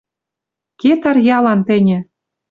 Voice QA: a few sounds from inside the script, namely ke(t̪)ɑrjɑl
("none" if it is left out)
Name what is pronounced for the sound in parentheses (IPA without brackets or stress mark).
t̪